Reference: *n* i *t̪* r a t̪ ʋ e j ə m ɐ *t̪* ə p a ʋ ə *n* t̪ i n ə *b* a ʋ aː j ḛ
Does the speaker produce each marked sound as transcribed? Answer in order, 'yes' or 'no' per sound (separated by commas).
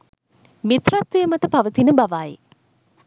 no, yes, yes, no, yes